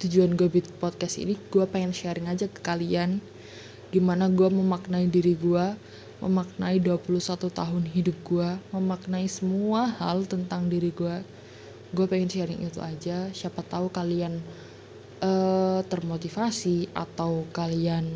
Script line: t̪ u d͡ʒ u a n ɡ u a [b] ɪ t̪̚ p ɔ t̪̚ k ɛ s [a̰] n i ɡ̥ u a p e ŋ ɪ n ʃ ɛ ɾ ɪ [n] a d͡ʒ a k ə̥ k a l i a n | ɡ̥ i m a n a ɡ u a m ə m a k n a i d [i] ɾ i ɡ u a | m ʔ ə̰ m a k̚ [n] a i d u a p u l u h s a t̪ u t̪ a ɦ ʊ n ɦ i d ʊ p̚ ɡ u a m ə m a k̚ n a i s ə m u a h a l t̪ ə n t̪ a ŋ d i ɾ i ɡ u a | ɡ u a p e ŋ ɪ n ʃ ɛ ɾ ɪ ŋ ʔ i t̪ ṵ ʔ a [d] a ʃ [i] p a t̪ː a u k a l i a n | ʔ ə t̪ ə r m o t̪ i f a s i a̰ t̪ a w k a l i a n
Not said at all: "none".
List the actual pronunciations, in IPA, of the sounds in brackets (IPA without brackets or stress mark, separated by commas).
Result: b, ḭ, ŋ, i, n, d͡ʒ, a